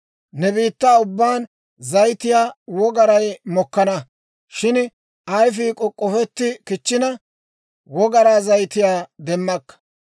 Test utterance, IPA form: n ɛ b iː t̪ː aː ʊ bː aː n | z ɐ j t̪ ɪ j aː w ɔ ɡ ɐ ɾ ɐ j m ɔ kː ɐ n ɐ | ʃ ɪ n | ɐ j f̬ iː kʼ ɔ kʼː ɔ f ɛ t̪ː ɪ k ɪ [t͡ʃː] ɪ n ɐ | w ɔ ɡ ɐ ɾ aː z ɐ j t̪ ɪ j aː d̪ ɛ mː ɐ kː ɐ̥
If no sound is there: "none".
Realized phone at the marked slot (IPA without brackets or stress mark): t͡ʃː